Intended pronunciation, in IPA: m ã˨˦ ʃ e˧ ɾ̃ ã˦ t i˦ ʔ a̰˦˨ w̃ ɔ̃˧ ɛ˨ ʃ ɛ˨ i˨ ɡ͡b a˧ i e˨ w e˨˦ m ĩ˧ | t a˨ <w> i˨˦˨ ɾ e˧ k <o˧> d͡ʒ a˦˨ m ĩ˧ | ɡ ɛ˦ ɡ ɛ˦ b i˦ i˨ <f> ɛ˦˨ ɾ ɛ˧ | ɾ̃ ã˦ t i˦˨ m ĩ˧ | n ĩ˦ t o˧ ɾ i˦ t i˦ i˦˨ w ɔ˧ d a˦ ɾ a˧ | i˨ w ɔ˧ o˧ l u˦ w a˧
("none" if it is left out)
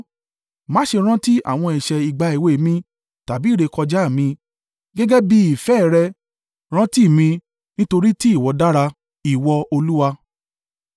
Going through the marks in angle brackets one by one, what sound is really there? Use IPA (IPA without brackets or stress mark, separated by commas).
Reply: b, ɔ˧, f